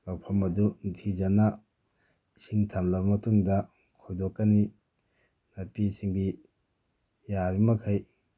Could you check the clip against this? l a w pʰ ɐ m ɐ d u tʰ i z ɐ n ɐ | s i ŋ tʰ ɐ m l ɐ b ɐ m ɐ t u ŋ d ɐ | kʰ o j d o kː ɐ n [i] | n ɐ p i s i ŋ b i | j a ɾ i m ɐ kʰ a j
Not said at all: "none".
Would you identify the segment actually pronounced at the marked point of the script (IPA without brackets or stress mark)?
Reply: i